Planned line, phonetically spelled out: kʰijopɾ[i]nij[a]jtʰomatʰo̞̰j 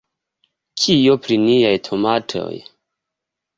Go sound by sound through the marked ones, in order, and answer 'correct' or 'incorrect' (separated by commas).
correct, correct